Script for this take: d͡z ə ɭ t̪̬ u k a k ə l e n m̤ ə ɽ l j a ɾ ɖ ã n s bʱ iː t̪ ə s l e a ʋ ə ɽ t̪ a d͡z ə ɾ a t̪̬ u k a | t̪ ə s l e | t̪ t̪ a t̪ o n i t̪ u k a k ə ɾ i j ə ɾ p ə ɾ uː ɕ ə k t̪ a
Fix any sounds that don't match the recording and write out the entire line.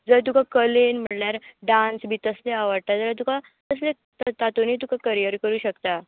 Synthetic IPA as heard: d͡z ə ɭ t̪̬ u k a k ə l e n m̤ ə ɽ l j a ɾ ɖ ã n s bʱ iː t̪ ə s l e a ʋ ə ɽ t̪ a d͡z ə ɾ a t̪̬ u k a | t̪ ə s l e | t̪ t̪ a t̪ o n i t̪ u k a k ə ɾ i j ə ɾ k ə ɾ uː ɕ ə k t̪ a